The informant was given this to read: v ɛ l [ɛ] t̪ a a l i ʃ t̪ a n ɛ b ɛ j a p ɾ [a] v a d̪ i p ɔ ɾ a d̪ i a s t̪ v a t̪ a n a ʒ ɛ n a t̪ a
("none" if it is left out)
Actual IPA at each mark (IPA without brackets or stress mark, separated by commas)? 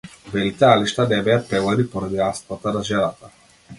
i, ɛ